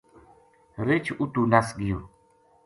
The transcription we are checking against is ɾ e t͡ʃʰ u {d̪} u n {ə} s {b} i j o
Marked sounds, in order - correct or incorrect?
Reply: incorrect: t̪, incorrect: a, incorrect: ɡ

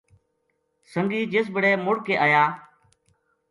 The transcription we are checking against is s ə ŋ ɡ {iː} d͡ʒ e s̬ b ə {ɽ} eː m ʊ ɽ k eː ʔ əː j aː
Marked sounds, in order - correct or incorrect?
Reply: correct, correct

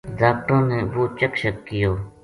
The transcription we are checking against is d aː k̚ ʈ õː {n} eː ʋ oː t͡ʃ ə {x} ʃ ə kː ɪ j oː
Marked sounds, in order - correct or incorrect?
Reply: correct, incorrect: k

